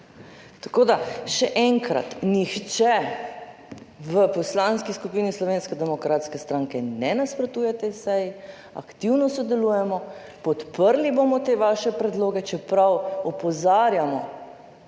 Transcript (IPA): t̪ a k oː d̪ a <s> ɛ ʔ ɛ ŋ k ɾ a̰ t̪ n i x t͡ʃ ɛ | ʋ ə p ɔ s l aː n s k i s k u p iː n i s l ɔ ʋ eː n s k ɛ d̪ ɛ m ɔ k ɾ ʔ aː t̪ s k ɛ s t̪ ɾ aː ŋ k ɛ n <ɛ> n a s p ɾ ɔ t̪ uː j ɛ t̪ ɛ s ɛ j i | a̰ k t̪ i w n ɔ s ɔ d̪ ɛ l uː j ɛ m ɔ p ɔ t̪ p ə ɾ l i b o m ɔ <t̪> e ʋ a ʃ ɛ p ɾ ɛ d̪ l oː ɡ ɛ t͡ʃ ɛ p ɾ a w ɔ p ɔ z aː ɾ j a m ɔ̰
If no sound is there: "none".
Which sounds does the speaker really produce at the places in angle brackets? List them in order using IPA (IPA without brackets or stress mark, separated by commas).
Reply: ʃ, ɛ, t̪